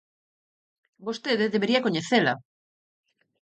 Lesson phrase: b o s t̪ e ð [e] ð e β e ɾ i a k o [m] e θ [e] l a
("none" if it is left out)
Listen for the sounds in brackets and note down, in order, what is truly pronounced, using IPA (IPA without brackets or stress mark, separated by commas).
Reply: e, ɲ, e